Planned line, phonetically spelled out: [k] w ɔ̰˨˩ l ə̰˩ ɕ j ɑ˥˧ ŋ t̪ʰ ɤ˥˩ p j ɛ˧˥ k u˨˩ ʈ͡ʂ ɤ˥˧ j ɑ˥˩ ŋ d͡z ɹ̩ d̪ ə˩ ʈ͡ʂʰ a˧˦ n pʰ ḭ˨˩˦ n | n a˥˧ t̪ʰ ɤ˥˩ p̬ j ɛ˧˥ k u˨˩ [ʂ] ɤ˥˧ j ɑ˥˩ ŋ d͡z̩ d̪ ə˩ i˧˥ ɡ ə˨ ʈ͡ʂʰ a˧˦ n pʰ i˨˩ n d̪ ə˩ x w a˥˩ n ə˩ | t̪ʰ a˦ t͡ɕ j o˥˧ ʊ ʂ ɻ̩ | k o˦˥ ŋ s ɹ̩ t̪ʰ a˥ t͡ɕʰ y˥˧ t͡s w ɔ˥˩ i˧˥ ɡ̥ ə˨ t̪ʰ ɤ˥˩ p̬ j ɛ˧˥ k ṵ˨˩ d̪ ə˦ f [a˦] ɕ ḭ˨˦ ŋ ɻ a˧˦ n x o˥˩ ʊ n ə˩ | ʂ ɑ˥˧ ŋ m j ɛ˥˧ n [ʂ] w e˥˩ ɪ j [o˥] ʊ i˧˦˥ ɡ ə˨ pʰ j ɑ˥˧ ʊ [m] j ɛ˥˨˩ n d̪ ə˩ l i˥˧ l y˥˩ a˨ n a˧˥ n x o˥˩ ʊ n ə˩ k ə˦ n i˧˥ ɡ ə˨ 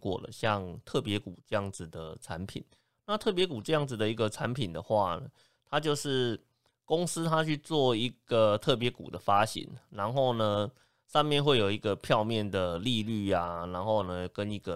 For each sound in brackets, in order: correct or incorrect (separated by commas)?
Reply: correct, incorrect, correct, incorrect, incorrect, correct